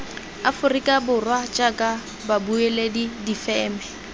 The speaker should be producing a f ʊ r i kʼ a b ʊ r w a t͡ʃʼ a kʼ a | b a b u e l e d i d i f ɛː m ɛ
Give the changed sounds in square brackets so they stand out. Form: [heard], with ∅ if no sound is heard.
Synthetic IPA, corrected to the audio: a f ʊ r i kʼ a b ʊ r w a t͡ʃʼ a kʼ a | b a b u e l e d i d i f ɛː m ɛ